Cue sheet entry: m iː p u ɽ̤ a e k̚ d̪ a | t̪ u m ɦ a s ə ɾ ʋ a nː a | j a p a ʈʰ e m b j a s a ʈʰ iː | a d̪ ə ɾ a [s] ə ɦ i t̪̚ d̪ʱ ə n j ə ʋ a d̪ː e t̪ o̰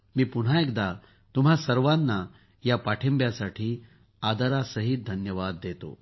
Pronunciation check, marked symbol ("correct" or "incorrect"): correct